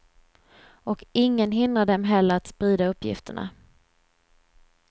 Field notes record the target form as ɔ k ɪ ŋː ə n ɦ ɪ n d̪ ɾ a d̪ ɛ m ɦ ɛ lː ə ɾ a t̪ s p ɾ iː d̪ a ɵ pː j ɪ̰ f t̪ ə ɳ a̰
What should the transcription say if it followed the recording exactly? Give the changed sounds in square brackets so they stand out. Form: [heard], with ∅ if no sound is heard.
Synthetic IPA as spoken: ɔ k ɪ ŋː ə n ɦ ɪ n d̪ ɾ a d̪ ɛ m ɦ ɛ lː ə ɾ a t̪ s p ɾ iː d̪ a ɵ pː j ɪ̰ f t̪ ə ɳ a̰